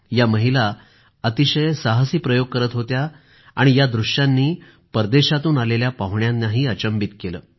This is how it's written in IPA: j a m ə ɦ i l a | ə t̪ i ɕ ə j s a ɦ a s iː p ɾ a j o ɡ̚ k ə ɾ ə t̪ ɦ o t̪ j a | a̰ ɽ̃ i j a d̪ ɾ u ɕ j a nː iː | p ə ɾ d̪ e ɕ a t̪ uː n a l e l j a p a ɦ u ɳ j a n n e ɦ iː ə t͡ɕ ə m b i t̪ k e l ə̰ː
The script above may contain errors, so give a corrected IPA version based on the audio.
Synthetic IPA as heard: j a m ə ɦ i l a | ə t̪ i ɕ ə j s a ɦ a s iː p ɾ ə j o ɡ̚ k ə ɾ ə t̪ ɦ o t̪ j a | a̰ ɽ̃ i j a d̪ ɾ u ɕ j a nː iː | p ə ɾ d̪ e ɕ a t̪ uː n a l e l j a p a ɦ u ɳ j a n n a ɦ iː ə t͡ɕ ə m b i t̪ k e l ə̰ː